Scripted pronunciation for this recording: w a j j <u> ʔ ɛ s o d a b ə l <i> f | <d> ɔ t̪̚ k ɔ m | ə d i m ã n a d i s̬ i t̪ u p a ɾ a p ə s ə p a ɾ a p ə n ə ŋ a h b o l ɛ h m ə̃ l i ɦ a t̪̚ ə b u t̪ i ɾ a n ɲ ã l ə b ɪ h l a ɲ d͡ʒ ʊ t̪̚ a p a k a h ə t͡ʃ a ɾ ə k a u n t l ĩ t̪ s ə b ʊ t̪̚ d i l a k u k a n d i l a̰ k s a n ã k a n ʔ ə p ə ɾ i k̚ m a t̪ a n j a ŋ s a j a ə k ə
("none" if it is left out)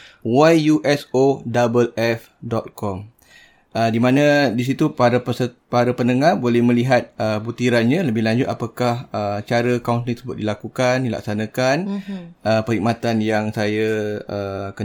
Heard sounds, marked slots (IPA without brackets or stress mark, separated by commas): u, ɛ, d